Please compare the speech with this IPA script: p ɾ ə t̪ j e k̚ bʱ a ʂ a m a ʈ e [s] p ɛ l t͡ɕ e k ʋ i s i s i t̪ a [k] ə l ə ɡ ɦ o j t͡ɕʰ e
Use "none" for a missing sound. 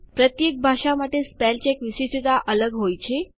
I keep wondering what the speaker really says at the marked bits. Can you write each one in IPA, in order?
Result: s, ʔ

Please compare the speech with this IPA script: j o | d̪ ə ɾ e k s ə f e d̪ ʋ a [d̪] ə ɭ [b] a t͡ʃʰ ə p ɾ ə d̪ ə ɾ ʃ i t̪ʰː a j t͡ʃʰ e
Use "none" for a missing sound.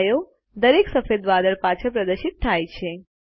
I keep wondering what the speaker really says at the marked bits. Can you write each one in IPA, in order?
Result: d̪, p

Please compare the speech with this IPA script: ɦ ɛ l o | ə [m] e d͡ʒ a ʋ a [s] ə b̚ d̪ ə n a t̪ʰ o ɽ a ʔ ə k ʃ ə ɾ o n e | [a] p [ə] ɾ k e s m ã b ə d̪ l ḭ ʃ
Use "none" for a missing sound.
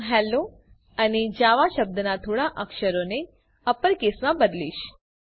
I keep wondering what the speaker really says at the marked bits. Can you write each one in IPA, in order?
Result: n, ʃ, ə, ə

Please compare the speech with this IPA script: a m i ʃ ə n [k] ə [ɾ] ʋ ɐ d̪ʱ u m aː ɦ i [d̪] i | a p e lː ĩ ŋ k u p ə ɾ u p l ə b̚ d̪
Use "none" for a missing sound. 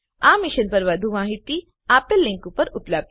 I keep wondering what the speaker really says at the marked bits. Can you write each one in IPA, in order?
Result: p, ɾ, t̪

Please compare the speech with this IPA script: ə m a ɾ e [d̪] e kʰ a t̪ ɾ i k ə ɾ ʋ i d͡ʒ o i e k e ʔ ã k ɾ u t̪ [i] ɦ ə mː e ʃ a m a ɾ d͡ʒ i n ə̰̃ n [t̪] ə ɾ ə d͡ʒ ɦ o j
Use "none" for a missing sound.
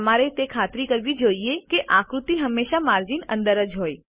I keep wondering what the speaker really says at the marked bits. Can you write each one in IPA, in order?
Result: t̪, i, d̪

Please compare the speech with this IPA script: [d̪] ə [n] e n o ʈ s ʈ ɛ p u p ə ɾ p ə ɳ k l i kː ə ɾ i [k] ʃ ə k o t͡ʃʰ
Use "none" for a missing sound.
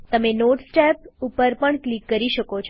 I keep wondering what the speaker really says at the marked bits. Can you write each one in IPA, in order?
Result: t̪, m, none

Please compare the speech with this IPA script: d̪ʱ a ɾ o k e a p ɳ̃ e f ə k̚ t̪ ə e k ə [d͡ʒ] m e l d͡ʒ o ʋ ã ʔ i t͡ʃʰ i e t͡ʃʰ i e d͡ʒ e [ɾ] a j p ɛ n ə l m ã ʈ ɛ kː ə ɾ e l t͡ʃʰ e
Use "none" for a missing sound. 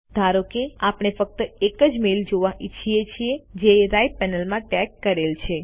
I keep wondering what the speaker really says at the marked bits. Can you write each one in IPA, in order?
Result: d͡ʒ, ɾ

